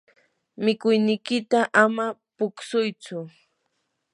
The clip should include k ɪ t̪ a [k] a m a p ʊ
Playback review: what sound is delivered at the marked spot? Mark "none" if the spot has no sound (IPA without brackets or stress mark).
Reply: ʔ